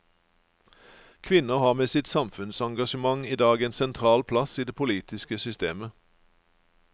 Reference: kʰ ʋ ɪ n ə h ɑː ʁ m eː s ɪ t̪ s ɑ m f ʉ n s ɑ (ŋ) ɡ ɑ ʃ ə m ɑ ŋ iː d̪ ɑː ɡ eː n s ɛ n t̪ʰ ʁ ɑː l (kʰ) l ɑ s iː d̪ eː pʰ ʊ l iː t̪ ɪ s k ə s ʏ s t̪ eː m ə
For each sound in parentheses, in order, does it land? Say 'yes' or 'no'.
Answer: yes, no

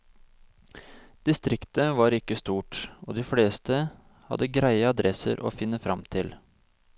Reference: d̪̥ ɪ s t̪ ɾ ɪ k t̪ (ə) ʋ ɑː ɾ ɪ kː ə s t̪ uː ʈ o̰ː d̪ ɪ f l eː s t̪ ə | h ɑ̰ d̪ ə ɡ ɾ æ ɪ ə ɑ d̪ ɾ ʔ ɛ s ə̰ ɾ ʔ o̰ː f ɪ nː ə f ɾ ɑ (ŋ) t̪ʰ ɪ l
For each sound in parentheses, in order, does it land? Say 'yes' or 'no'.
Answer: yes, no

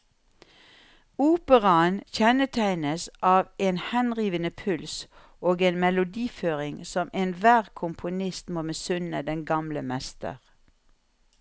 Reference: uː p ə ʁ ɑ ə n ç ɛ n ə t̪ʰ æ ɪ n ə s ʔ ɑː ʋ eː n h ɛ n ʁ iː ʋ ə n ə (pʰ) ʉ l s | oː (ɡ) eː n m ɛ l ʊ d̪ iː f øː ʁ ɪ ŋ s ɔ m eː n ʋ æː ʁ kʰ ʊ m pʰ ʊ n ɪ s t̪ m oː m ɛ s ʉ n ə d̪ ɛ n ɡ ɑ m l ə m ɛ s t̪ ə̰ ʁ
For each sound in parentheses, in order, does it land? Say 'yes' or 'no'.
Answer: yes, yes

